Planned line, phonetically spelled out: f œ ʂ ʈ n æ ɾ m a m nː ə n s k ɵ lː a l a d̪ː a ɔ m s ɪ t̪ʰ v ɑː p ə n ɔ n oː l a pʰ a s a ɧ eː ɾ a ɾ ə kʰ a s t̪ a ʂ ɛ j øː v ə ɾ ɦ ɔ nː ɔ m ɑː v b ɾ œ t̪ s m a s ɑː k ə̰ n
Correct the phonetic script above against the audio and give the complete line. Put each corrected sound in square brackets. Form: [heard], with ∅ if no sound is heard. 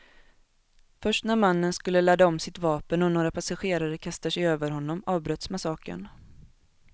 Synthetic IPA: f œ ʂ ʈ n æ ɾ m a [∅] nː ə n s k ɵ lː [ə] l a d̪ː a ɔ m s ɪ [t̪] v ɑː p ə n ɔ n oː [ɾ] a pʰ a s a ɧ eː ɾ a ɾ ə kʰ a s t̪ a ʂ ɛ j øː v ə ɾ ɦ ɔ nː ɔ m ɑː v b ɾ œ t̪ s m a s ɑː k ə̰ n